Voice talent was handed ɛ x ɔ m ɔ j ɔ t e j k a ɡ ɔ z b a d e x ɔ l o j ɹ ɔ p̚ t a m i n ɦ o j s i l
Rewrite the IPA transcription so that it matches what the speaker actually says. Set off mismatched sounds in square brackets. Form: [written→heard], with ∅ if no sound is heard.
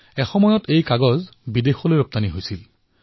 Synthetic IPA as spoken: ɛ x ɔ m ɔ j ɔ t e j k a ɡ ɔ z b [a→i] d e x ɔ l o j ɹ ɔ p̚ t a [m→n] i [n→∅] ɦ o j s i l